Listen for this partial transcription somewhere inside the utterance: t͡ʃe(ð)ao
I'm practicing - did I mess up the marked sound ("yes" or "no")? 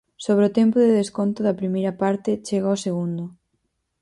yes